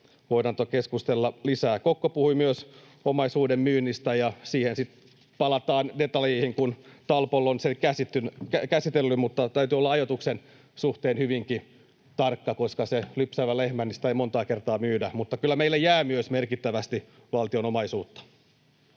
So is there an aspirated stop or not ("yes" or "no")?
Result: no